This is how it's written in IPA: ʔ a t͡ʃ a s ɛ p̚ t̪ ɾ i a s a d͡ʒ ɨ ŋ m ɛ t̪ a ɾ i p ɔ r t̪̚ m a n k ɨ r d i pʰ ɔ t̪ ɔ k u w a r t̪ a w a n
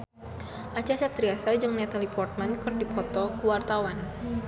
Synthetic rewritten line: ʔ a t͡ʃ a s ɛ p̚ t̪ ɾ i a s a d͡ʒ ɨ ŋ n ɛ t̪ a l i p ɔ r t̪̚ m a n k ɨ r d i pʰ ɔ t̪ ɔ k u w a r t̪ a w a n